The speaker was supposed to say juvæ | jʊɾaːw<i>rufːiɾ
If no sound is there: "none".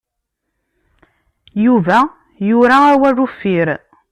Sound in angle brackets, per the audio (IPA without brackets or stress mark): æ